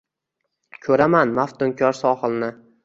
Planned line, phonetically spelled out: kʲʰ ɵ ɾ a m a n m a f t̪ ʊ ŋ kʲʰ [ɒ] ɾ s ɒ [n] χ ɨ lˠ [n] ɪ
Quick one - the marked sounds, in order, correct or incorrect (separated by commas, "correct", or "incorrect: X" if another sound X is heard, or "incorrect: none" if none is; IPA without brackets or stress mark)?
correct, incorrect: none, correct